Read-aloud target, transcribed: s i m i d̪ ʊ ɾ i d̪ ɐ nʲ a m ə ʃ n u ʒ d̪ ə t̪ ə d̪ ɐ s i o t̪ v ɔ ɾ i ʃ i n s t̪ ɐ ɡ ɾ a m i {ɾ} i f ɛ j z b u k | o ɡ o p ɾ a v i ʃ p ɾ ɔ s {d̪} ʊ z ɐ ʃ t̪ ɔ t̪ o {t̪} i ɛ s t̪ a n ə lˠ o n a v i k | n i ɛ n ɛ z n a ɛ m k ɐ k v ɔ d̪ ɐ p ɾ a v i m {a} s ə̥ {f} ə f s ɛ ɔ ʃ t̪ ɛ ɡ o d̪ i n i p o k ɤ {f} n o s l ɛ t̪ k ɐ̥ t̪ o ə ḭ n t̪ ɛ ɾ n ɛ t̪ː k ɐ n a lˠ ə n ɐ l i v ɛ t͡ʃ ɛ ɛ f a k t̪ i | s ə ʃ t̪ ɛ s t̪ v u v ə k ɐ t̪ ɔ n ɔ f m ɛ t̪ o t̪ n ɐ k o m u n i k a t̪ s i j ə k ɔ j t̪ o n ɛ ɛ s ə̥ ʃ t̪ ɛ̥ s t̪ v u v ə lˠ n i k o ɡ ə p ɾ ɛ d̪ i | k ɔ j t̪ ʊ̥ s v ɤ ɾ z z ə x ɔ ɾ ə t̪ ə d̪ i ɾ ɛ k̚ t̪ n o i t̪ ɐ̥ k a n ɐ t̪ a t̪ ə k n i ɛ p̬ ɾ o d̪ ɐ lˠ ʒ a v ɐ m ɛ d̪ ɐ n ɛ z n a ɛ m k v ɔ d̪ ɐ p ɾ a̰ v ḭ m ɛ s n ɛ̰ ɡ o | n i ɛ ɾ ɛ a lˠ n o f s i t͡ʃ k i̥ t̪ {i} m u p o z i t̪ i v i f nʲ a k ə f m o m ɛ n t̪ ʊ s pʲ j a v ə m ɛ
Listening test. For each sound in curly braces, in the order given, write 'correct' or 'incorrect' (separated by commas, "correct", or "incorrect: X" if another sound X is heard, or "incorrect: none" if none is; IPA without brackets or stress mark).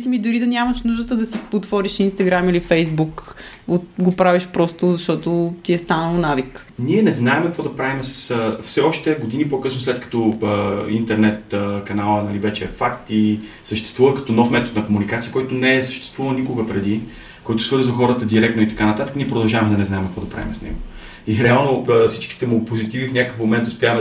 incorrect: l, incorrect: t̪, correct, incorrect: ɛ, incorrect: s, incorrect: s, incorrect: ɛ